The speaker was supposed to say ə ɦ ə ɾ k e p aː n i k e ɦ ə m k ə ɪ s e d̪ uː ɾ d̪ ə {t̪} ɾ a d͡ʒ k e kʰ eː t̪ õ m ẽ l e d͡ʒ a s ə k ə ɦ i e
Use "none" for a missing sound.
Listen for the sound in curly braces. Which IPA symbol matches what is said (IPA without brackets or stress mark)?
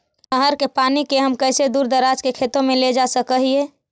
none